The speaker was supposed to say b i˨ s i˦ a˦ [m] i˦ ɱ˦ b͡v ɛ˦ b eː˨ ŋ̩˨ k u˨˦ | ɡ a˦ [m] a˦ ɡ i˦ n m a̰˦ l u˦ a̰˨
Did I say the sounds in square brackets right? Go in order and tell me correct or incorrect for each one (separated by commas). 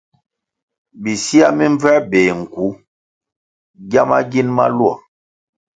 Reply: correct, correct